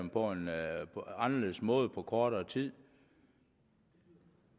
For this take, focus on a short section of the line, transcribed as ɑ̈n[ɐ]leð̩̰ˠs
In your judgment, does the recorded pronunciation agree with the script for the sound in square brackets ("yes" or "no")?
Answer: yes